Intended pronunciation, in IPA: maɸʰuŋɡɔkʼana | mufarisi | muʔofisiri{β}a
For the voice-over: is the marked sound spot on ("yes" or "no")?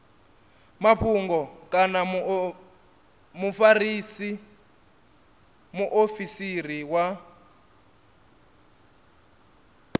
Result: no